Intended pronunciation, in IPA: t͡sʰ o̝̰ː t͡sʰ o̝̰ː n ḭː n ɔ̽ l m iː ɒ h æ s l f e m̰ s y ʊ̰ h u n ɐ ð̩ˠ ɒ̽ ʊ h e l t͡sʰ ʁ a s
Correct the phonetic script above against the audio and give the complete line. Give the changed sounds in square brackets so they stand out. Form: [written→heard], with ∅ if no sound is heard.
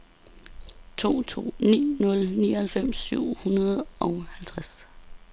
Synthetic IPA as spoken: t͡sʰ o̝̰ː t͡sʰ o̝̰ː n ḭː n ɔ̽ l [m→n] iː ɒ h æ [s→∅] l f e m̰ s y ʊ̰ h u n ɐ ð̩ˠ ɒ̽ ʊ h [e→æ] l t͡sʰ ʁ a s